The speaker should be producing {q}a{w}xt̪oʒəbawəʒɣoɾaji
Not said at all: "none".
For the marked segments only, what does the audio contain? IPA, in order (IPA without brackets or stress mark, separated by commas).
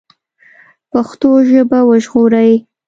p, none